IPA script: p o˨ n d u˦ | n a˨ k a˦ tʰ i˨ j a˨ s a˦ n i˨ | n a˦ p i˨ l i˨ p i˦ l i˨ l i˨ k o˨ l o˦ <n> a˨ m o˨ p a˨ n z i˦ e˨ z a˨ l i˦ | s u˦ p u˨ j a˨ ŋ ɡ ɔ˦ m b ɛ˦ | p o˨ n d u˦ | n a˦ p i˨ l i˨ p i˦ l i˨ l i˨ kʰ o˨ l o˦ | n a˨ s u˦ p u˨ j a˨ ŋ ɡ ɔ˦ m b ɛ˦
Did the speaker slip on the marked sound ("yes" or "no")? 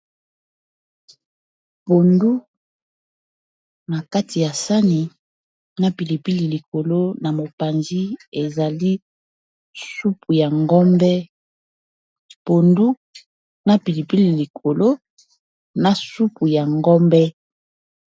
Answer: no